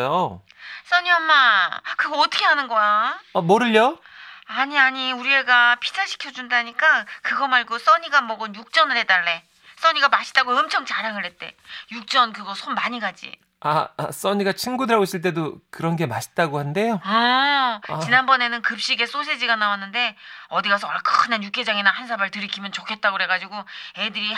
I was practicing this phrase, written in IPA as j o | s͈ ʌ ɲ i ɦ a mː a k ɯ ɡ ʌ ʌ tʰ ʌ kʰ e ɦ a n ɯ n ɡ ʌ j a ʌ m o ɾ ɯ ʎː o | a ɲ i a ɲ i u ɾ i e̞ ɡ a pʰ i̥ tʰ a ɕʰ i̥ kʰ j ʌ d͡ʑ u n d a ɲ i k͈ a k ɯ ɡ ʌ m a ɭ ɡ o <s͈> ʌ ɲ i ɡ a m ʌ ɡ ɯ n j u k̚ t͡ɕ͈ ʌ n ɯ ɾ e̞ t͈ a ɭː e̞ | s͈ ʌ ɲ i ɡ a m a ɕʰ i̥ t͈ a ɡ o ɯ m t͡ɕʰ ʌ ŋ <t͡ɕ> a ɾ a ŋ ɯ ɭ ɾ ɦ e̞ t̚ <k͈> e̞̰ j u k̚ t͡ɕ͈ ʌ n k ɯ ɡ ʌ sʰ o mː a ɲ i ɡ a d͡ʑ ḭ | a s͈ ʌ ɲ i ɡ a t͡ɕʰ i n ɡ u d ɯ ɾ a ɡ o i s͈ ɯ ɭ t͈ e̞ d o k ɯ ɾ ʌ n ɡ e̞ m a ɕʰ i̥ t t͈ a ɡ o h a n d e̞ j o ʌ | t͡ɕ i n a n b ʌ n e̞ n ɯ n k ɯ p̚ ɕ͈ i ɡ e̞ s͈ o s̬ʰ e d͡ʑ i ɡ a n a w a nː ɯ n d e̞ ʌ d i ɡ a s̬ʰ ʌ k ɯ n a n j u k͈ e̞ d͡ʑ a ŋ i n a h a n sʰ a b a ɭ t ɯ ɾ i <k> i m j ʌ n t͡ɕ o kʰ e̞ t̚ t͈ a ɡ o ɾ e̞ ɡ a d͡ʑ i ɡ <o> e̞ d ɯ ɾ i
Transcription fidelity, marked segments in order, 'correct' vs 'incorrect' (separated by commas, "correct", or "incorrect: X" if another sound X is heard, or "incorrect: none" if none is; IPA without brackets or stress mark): correct, correct, incorrect: t͈, incorrect: kʰ, correct